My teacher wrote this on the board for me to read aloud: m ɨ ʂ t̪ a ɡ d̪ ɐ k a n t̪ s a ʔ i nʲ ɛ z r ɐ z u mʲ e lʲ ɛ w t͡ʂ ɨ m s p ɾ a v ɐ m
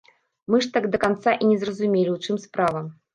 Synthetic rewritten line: m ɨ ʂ t̪ a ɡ d̪ ɐ k a n t̪ s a ʔ i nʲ ɛ z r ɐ z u mʲ e lʲ i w t͡ʂ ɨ m s p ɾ a v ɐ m